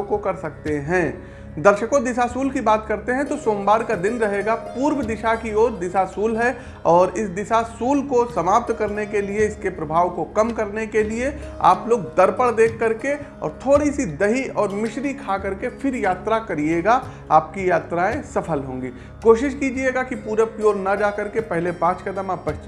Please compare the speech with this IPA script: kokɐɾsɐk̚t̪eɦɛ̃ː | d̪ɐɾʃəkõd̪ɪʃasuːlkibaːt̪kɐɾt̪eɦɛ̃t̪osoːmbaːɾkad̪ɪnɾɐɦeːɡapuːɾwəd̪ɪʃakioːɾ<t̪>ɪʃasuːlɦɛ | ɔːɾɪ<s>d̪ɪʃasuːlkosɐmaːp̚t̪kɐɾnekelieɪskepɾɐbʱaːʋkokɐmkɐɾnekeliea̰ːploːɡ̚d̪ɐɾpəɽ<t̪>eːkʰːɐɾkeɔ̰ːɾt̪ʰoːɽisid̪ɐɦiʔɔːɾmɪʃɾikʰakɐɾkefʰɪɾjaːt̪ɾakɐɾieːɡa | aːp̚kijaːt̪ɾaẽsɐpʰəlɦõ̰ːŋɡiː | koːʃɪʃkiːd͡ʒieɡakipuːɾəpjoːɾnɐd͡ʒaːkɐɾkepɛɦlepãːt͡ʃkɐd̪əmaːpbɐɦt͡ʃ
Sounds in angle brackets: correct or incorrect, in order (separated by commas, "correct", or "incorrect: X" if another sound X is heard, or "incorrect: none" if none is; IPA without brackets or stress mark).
incorrect: d̪, correct, incorrect: d̪